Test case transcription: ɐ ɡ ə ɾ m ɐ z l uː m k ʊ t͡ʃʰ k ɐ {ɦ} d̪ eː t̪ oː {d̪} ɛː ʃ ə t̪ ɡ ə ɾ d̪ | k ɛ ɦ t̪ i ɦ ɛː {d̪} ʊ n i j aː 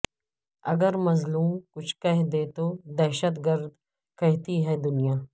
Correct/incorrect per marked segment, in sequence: correct, correct, correct

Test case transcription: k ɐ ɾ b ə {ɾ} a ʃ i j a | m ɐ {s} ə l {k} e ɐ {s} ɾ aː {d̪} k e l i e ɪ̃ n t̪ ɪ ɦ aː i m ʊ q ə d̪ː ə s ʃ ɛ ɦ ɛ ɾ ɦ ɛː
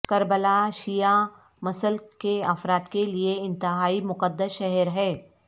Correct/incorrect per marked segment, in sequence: incorrect, correct, correct, incorrect, incorrect

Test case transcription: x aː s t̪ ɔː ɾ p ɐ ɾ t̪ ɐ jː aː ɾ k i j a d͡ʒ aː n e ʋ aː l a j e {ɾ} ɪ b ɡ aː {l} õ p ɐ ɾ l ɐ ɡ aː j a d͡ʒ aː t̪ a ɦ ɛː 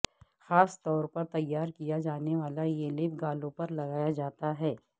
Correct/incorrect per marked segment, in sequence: incorrect, correct

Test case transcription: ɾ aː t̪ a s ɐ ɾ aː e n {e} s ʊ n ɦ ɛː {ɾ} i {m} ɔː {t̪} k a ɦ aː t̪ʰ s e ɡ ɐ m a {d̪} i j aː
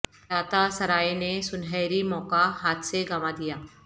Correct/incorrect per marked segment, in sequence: correct, correct, correct, incorrect, correct

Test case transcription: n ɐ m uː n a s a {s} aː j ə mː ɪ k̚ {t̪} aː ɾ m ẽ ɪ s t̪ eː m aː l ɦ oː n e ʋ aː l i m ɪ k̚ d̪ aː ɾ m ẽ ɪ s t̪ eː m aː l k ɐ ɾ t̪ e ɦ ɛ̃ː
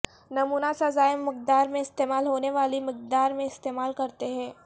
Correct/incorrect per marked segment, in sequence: incorrect, incorrect

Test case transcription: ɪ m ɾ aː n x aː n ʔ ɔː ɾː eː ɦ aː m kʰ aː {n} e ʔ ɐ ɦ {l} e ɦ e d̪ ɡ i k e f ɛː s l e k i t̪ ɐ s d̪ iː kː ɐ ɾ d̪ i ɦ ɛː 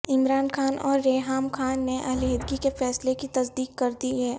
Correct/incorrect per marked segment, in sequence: incorrect, correct

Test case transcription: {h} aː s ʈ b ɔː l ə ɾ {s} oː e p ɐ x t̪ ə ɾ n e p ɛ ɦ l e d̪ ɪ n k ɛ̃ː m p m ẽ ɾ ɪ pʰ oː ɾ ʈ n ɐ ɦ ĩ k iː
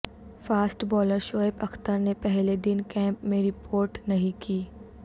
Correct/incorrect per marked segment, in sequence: incorrect, incorrect

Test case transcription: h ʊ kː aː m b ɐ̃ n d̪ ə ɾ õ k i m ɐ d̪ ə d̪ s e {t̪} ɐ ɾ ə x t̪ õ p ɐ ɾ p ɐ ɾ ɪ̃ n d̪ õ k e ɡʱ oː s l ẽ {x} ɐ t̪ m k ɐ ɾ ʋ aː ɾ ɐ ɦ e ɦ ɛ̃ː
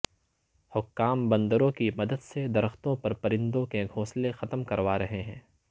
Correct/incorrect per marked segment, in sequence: incorrect, correct

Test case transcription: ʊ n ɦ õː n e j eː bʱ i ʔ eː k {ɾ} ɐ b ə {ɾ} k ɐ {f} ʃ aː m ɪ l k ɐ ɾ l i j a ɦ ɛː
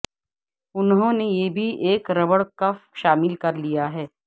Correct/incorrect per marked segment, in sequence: correct, incorrect, correct

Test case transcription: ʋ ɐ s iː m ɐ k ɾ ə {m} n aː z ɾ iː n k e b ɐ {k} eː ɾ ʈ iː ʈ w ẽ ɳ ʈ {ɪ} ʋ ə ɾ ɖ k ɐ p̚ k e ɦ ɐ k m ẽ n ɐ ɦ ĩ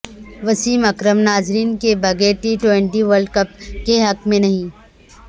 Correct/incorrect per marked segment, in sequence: correct, incorrect, incorrect

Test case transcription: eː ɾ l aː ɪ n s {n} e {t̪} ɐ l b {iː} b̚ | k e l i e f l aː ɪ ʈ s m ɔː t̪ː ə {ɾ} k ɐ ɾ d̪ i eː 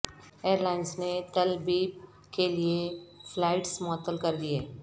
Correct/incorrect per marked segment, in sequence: correct, correct, correct, incorrect

